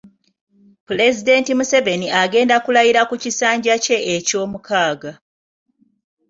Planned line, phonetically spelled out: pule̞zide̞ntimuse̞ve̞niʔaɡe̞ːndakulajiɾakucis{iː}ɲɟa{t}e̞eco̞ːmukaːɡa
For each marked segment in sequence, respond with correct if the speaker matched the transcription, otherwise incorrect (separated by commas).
incorrect, incorrect